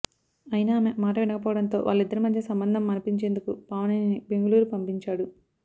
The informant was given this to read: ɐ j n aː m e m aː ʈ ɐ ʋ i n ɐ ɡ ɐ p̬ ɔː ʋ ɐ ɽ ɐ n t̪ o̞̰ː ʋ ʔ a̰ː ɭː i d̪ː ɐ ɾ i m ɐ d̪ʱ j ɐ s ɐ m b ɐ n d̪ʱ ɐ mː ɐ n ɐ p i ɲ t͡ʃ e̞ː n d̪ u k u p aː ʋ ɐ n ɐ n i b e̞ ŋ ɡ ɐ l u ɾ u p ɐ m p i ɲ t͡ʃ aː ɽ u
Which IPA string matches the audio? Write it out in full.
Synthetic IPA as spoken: ɐ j n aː m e m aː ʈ ɐ ʋ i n ɐ k ɐ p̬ ɔː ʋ ɐ ɽ ɐ n t̪ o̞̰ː ʋ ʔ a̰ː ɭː i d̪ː ɐ ɾ i m ɐ d̪ʱ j ɐ s ɐ m b ɐ n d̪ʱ ɐ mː ɐ n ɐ p i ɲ t͡ʃ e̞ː n d̪ u k u p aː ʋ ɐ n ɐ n i b e̞ ŋ ɡ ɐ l uː ɾ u p ɐ m p i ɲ t͡ʃ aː ɽ u